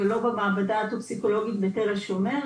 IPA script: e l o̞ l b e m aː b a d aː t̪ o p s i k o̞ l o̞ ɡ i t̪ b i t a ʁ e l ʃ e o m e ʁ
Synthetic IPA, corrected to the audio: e l o̞ b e m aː b a d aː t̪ o p s i k o̞ l o̞ ɡ i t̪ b e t e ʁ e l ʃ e o m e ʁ